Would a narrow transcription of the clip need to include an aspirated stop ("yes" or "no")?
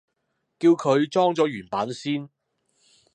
yes